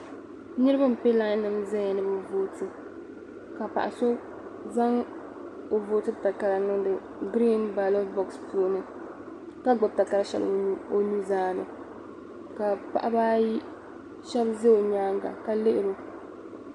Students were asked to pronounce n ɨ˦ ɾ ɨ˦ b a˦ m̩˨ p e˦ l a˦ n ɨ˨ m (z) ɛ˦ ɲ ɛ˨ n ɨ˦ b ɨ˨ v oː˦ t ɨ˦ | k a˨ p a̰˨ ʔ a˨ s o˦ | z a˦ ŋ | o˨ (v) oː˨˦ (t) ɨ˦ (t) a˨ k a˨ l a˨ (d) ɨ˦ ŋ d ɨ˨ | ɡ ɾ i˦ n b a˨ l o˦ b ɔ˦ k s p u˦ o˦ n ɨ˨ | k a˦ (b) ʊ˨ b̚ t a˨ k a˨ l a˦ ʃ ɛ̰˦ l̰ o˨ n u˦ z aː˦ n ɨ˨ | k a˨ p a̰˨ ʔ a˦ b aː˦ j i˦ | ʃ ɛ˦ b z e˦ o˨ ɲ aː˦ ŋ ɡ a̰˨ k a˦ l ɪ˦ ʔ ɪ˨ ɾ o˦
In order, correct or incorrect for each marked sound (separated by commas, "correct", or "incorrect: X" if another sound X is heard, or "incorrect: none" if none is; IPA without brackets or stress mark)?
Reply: correct, correct, correct, correct, incorrect: n, incorrect: ɡ͡b